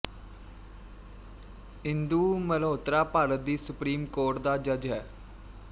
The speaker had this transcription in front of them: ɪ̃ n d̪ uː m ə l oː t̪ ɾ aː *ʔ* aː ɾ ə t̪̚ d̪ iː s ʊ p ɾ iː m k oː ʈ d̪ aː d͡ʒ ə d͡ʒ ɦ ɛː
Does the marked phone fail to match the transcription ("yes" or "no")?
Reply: yes